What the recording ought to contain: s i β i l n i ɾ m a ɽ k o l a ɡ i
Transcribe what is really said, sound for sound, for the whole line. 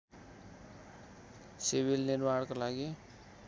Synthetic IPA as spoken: s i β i l n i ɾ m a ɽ k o l a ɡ i